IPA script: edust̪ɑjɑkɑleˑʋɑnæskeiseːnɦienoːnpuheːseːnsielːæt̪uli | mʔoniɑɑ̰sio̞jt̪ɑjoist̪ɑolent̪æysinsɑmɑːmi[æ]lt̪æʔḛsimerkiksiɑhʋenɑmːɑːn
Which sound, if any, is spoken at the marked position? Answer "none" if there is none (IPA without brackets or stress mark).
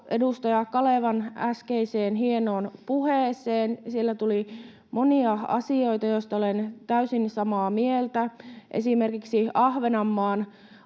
e